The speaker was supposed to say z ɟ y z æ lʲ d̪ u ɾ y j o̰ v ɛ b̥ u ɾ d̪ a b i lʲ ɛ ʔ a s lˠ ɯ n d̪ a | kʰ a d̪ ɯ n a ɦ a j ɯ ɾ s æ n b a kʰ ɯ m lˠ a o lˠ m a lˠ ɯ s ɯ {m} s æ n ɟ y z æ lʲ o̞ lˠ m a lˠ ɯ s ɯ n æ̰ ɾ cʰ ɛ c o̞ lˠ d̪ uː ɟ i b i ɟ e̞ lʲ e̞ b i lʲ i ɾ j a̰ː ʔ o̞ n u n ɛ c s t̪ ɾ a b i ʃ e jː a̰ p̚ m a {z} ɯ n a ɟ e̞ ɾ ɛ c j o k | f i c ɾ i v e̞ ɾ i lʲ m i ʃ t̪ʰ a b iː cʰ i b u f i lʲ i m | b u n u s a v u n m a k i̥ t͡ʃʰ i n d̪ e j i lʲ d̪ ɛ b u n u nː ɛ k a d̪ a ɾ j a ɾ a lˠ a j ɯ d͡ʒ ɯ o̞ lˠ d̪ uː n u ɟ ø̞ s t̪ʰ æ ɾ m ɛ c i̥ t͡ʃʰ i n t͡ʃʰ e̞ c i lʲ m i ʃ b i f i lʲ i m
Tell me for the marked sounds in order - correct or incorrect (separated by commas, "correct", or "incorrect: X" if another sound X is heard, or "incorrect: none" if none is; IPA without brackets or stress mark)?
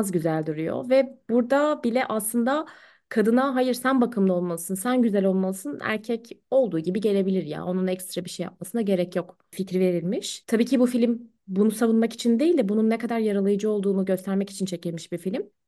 incorrect: n, incorrect: s